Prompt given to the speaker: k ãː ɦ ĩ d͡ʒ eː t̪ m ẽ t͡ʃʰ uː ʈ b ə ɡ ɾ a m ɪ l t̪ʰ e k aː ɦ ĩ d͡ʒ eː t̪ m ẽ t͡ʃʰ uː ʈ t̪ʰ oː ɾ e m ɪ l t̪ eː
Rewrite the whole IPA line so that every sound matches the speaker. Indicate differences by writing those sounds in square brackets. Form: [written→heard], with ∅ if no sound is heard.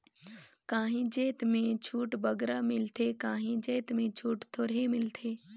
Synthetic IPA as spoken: k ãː ɦ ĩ d͡ʒ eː t̪ m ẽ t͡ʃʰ uː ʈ b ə ɡ ɾ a m ɪ l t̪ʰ e k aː ɦ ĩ d͡ʒ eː t̪ m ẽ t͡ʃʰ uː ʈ t̪ʰ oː ɾ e m ɪ l [t̪→t̪ʰ] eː

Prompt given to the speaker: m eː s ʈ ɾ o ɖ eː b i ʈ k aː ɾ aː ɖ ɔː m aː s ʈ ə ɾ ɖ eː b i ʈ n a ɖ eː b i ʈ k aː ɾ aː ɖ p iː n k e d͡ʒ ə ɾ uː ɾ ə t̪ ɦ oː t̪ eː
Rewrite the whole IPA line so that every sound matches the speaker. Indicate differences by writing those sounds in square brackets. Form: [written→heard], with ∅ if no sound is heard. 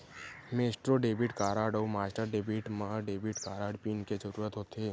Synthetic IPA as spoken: m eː s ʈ ɾ o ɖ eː b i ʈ k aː ɾ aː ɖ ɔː m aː s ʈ ə ɾ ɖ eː b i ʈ [n→m] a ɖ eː b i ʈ k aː ɾ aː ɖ p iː n k e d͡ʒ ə ɾ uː ɾ ə t̪ ɦ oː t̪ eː

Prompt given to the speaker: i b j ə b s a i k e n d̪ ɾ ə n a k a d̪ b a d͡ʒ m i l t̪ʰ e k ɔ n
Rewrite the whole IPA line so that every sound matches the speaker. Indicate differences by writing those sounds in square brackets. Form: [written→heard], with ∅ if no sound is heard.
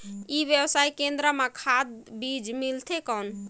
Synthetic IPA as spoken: i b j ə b s a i k e n d̪ ɾ ə [n→m] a [k→kʰ] a d̪ b [a→i] d͡ʒ m i l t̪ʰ e k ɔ n

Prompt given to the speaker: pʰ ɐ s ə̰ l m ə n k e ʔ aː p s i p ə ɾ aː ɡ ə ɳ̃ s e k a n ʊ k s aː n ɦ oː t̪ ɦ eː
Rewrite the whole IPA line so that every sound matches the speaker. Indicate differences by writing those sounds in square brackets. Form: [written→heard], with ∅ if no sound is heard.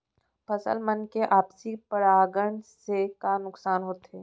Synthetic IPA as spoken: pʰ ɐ s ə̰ l m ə n k e ʔ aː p s i p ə ɾ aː ɡ ə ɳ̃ s e k a n ʊ k s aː n ɦ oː t̪ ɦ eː

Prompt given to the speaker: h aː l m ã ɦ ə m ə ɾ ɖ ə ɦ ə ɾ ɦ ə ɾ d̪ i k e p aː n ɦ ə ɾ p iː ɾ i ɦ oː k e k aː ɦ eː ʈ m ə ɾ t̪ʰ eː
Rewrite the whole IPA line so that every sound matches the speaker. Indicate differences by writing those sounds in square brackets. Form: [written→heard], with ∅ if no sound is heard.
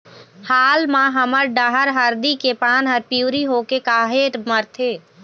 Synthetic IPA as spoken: h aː l m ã ɦ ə m ə ɾ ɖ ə ɦ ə ɾ ɦ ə ɾ d̪ i k e p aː n ɦ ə ɾ p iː ɾ i ɦ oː k e k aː ɦ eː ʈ m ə ɾ t̪ʰ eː

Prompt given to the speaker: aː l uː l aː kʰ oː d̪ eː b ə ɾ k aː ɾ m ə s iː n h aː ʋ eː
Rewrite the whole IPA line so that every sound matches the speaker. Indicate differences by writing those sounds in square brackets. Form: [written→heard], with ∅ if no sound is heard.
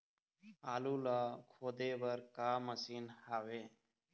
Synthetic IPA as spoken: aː l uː l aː kʰ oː d̪ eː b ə ɾ k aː [ɾ→∅] m ə s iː n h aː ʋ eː

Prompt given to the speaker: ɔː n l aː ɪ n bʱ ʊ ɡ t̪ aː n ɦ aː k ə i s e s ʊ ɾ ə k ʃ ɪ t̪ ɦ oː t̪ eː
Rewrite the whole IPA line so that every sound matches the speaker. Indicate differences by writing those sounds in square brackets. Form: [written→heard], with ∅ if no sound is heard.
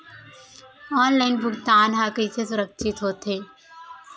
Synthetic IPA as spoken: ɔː n l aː ɪ n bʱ ʊ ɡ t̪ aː n ɦ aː k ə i s e s ʊ ɾ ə k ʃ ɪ t̪ ɦ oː t̪ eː

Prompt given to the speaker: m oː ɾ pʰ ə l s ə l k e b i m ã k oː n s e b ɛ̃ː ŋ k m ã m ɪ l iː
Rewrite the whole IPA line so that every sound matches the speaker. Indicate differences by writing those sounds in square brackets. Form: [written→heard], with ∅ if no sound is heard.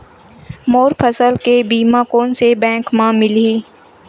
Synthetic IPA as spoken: m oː ɾ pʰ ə [l→∅] s ə l k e b [i→iː] m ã k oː n s e b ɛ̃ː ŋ k m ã m ɪ l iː

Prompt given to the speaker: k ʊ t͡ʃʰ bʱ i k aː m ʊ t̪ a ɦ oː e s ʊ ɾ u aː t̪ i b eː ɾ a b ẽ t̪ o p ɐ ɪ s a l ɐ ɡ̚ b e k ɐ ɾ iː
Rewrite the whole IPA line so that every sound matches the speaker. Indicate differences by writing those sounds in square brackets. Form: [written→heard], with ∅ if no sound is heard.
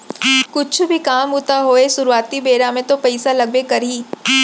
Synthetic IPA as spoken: k ʊ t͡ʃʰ bʱ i k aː m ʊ t̪ a ɦ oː e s ʊ ɾ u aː t̪ i b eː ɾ a [b→m] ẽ t̪ o p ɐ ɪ s a l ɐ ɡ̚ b e k ɐ ɾ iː

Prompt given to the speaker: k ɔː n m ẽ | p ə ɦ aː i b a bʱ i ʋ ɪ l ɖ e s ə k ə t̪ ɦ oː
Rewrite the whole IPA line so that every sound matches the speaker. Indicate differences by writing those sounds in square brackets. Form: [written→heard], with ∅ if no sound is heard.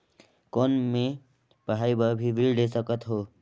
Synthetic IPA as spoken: k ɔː n m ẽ | p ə ɦ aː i b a bʱ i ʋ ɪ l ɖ e s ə k ə t̪ ɦ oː

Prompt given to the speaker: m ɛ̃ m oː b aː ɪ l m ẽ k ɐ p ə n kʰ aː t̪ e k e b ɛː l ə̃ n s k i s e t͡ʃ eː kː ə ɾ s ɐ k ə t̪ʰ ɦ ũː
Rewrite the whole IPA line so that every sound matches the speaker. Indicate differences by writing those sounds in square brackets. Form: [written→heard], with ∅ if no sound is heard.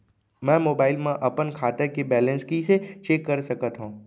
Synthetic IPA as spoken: m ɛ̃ m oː b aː ɪ l m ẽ [k→ʔ] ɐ p ə n kʰ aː t̪ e k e b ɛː l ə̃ n s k i s e t͡ʃ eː kː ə ɾ s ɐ k ə [t̪ʰ→t̪] ɦ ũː

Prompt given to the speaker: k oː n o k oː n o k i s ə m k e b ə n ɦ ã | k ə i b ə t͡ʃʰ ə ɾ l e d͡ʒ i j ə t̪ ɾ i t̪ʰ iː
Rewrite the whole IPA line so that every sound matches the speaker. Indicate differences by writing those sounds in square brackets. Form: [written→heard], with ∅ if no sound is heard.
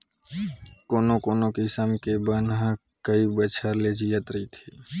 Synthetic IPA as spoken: k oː n o k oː n o k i s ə m k e b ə n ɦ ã | k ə i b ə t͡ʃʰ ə ɾ l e d͡ʒ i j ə t̪ ɾ i t̪ʰ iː

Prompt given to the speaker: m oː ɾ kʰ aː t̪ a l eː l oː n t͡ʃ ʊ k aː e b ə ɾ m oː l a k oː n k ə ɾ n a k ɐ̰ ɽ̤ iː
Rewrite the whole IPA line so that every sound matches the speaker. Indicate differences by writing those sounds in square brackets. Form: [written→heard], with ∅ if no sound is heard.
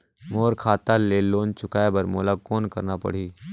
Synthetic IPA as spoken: m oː ɾ kʰ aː t̪ a l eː l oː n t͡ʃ ʊ k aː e b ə ɾ m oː l a k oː n k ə ɾ n a [k→p] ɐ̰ ɽ̤ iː

